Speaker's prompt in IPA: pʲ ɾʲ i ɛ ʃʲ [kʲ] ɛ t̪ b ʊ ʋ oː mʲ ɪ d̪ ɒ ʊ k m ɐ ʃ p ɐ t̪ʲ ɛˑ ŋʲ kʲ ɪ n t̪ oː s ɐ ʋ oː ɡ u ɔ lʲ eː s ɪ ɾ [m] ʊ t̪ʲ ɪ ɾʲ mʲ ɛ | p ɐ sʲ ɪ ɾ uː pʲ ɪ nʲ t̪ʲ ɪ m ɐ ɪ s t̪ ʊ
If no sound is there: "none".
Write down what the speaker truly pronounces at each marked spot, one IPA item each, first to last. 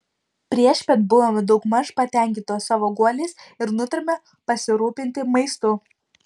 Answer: pʲ, n

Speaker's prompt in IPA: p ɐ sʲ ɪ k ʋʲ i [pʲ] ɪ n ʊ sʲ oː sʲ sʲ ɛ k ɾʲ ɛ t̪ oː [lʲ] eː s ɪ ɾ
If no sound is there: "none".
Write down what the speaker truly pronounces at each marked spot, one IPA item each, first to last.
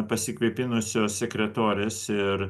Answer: pʲ, ɾʲ

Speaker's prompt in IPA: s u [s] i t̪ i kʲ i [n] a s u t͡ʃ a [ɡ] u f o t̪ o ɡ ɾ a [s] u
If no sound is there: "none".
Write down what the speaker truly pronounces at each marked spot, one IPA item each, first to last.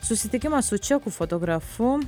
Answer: s, m, k, f

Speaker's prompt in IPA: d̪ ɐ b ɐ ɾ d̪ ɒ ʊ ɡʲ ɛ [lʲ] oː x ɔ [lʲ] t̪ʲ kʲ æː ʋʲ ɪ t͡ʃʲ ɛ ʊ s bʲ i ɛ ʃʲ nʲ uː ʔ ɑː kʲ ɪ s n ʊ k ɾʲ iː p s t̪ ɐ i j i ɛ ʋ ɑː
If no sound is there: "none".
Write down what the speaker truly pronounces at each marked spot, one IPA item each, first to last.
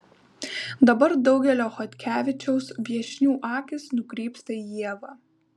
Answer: lʲ, none

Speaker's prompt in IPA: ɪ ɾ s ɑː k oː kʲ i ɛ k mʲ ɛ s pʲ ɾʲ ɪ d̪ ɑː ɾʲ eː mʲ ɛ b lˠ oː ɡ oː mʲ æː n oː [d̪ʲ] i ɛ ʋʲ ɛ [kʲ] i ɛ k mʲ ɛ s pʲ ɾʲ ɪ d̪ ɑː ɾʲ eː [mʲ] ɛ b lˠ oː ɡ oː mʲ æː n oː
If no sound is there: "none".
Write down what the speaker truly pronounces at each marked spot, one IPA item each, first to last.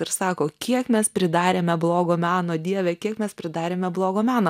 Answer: d̪ʲ, kʲ, mʲ

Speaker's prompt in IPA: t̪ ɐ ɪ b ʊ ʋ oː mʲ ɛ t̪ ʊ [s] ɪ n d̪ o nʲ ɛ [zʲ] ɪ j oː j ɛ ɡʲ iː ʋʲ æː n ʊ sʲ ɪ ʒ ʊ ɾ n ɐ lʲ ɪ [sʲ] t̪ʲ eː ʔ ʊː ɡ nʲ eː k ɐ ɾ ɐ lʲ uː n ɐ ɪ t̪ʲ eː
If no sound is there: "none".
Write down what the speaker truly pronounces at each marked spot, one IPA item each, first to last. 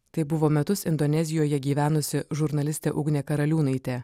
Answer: s, zʲ, sʲ

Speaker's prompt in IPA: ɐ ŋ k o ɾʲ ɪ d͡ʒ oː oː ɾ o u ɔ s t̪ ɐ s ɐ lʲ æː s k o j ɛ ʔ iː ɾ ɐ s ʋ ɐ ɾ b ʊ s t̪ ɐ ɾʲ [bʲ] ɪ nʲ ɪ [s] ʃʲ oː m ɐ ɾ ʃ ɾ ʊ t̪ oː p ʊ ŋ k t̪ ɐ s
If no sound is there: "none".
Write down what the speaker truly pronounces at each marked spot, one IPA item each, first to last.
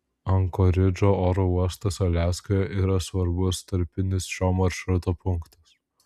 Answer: pʲ, s

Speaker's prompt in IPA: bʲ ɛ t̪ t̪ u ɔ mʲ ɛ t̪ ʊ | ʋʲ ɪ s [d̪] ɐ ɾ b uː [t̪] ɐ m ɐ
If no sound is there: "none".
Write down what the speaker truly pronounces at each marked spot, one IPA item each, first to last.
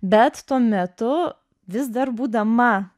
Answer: d̪, d̪

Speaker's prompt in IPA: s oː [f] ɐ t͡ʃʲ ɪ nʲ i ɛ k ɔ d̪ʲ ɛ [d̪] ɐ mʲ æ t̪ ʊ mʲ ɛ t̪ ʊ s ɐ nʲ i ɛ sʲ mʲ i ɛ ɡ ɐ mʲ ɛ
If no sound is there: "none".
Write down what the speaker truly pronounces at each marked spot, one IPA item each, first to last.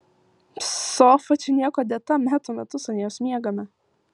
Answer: f, t̪

